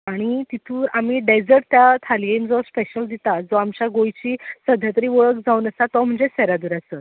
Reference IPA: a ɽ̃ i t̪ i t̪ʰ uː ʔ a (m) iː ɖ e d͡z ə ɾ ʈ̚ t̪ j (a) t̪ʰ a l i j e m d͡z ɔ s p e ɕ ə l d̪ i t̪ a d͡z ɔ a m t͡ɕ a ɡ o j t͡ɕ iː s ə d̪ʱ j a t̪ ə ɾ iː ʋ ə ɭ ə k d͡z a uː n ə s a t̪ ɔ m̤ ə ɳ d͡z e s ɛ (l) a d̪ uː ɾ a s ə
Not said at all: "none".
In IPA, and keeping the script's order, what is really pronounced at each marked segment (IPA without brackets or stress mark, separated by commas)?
m, a, ɾ